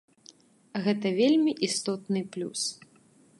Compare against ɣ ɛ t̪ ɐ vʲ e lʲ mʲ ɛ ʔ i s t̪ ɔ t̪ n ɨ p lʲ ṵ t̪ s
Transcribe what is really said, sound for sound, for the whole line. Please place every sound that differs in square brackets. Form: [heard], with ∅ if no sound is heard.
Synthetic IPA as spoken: ɣ ɛ t̪ ɐ vʲ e lʲ mʲ [i] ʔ i s t̪ ɔ t̪ n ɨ p lʲ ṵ [∅] s